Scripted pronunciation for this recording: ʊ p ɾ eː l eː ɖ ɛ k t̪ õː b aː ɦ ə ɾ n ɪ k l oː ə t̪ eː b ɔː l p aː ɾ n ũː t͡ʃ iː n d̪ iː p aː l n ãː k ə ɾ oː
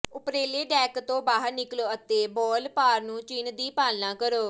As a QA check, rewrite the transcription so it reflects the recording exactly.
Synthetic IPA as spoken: ʊ p ɾ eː l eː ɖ ɛː k t̪ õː b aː ɦ ə ɾ n ɪ k l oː ə t̪ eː b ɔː l p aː ɾ n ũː t͡ʃ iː n d̪ iː p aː l n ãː k ə ɾ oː